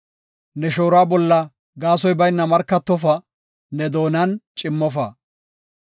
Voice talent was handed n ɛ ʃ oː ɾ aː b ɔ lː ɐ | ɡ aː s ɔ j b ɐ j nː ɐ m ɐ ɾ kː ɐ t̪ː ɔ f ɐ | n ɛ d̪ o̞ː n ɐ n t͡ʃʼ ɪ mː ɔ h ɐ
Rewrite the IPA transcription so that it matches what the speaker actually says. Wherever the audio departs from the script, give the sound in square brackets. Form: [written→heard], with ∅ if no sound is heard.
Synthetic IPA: n ɛ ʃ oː ɾ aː b ɔ lː ɐ | ɡ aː s ɔ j b ɐ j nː ɐ m ɐ ɾ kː ɐ t̪ː ɔ f ɐ | n ɛ d̪ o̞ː n ɐ n t͡ʃʼ ɪ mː ɔ [h→f] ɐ

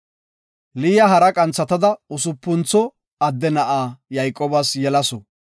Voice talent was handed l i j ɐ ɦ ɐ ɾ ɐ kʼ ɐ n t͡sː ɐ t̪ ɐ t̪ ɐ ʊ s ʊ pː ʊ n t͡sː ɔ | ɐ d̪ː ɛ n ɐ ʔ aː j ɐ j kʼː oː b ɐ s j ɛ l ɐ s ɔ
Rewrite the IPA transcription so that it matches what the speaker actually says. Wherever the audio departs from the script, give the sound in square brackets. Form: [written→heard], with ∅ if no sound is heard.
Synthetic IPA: l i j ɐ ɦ ɐ ɾ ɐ kʼ ɐ n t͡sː ɐ t̪ ɐ [t̪→d̪] ɐ ʊ s ʊ pː ʊ n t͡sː ɔ | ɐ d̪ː ɛ n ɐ ʔ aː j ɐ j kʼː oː b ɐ s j ɛ l ɐ s ɔ

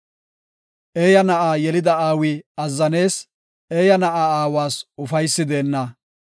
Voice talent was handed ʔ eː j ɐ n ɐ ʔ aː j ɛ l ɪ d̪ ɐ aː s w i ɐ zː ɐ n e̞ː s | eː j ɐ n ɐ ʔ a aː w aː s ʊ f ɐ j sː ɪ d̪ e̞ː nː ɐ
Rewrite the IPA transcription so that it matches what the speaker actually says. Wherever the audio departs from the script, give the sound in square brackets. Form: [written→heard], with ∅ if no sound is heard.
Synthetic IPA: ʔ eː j ɐ n ɐ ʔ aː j ɛ l ɪ d̪ ɐ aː [s→∅] w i ɐ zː ɐ n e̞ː s | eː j ɐ n ɐ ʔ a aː w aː s ʊ f ɐ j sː ɪ d̪ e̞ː nː ɐ

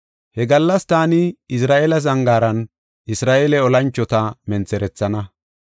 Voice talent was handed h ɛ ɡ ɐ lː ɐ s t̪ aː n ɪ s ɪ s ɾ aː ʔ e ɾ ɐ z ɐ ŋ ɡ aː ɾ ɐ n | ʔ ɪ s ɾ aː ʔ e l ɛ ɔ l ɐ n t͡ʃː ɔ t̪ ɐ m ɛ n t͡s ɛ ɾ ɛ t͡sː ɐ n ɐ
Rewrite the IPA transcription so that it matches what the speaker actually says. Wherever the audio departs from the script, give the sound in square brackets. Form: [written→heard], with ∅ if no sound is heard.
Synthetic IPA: h ɛ ɡ ɐ lː ɐ s t̪ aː n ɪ [s→∅] ɪ s ɾ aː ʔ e [ɾ→l] ɐ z ɐ ŋ ɡ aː ɾ ɐ n | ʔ ɪ s ɾ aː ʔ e l ɛ ɔ l ɐ n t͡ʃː ɔ t̪ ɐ m ɛ n t͡s ɛ ɾ ɛ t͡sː ɐ n ɐ

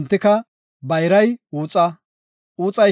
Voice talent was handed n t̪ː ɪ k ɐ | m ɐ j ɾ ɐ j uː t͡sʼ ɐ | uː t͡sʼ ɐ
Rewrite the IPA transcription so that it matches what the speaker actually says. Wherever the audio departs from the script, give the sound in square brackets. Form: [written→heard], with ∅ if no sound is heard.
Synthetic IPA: n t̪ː ɪ k ɐ | [m→b] ɐ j ɾ ɐ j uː t͡sʼ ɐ | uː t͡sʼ ɐ

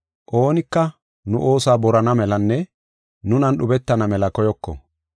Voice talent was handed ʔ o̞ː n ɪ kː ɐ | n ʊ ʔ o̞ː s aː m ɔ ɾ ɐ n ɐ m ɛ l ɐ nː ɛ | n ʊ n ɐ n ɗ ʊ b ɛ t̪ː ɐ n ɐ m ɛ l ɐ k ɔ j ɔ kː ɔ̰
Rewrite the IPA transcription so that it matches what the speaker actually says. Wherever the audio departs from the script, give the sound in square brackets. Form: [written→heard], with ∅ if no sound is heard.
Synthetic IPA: ʔ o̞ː n ɪ kː ɐ | n ʊ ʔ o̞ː s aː [m→b] ɔ ɾ ɐ n ɐ m ɛ l ɐ nː ɛ | n ʊ n ɐ n ɗ ʊ b ɛ t̪ː ɐ n ɐ m ɛ l ɐ k ɔ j ɔ kː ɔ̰

